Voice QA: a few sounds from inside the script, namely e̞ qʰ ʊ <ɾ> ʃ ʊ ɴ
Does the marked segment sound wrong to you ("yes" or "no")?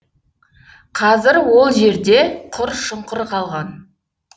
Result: no